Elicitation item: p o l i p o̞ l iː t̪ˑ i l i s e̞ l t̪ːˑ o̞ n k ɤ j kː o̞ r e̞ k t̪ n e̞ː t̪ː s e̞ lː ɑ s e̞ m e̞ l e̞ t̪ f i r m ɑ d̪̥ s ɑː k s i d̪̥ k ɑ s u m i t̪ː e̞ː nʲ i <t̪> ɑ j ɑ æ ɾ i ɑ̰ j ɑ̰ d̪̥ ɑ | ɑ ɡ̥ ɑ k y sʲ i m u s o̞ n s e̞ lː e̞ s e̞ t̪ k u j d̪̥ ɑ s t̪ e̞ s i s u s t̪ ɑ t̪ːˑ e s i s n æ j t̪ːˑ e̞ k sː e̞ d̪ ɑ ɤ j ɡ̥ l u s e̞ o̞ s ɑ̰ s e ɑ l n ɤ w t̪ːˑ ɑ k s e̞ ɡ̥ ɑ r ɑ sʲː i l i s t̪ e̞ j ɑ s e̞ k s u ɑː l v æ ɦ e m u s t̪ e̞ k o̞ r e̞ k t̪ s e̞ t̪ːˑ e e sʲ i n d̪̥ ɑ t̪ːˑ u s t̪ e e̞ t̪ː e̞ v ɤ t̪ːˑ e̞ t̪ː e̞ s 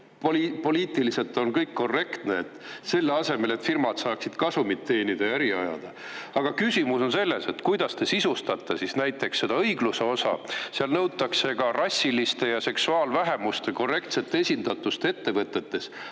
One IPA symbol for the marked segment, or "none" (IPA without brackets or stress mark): d̪